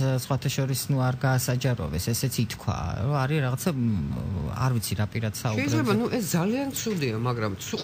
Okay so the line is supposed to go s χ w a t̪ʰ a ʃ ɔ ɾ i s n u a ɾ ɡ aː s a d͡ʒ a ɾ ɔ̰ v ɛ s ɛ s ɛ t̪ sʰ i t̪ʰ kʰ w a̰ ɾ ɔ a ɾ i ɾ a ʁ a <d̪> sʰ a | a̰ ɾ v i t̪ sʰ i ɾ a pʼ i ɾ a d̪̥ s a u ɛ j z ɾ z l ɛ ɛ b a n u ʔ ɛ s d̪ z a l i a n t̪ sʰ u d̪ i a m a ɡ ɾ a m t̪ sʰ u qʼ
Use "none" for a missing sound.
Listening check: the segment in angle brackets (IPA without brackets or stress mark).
t̪